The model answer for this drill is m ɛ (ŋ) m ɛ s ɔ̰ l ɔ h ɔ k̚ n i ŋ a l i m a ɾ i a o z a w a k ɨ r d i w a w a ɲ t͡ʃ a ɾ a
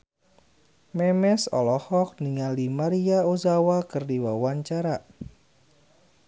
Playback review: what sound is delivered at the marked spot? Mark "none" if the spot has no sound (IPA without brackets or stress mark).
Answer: none